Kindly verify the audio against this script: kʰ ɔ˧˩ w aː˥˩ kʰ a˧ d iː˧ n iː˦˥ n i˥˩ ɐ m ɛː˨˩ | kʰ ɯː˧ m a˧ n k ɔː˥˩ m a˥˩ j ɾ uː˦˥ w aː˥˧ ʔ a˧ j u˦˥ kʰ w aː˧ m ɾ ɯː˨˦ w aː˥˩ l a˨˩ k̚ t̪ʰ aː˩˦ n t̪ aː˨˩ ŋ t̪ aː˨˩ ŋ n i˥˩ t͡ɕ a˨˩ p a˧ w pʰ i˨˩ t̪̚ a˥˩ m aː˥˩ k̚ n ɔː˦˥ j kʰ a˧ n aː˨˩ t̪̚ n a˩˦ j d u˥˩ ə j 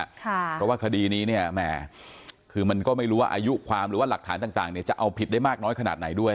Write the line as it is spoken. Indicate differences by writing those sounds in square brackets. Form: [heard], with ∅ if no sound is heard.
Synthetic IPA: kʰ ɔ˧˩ w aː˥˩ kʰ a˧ d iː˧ n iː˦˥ n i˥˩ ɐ m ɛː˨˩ | kʰ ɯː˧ m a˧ n k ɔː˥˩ m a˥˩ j ɾ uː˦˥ w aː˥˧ ʔ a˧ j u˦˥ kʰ w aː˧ m ɾ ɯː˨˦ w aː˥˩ l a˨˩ k̚ t̪ʰ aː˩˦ n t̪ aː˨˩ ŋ t̪ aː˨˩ ŋ n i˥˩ t͡ɕ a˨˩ [ʔ] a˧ w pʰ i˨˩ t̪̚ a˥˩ m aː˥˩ k̚ n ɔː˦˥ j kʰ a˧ n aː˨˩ t̪̚ n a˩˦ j d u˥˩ ə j